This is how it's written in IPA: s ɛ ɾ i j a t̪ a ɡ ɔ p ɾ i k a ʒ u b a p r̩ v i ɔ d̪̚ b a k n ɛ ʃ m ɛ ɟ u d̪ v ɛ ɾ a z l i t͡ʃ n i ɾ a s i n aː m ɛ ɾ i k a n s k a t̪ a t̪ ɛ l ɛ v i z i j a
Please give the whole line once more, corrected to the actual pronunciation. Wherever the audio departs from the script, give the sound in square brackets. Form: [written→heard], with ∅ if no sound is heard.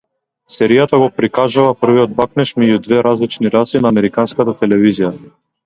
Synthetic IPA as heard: s ɛ ɾ i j a t̪ a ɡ ɔ p ɾ i k a ʒ u [b→v] a p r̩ v i ɔ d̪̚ b a k n ɛ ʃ m ɛ ɟ u d̪ v ɛ ɾ a z l i t͡ʃ n i ɾ a s i n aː m ɛ ɾ i k a n s k a t̪ a t̪ ɛ l ɛ v i z i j a